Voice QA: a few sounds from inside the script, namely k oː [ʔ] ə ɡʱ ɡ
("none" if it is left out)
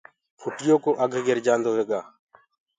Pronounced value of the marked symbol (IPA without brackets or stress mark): ʔ